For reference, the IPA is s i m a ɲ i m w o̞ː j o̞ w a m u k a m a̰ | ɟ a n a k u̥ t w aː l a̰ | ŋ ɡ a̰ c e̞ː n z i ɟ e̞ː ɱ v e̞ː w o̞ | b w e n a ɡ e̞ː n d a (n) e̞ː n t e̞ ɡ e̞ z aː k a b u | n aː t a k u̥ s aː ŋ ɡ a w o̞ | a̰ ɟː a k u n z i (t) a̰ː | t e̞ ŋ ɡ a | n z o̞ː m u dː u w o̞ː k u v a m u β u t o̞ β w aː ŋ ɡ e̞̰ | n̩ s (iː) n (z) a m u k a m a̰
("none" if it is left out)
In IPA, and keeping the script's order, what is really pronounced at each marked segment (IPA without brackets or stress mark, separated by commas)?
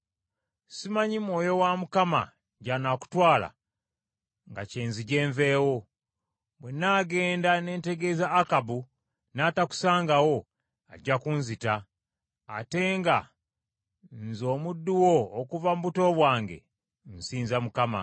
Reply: n, t, iː, z